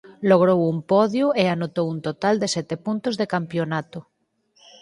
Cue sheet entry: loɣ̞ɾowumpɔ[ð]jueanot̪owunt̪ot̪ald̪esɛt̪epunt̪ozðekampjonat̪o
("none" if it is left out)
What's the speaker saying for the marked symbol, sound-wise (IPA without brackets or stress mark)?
ð